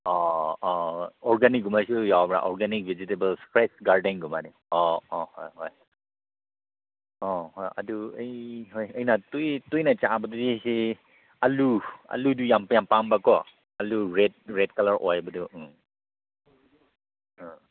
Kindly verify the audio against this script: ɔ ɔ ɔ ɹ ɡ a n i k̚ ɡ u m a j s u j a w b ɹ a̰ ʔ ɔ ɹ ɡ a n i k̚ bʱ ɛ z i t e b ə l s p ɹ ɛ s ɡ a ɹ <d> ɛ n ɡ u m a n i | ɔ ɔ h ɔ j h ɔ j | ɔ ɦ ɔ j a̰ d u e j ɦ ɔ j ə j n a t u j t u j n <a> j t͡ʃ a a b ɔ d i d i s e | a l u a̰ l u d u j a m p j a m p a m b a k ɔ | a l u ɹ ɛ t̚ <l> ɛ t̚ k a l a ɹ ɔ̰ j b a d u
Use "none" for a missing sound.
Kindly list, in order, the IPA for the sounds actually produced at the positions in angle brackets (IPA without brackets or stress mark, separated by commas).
d, a, ɹ